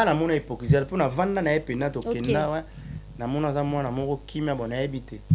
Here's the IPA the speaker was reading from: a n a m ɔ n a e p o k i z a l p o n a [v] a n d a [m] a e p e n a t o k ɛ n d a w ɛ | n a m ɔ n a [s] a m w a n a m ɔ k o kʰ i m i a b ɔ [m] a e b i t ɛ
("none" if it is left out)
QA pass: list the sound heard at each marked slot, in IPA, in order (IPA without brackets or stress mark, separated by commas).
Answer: v, n, z, n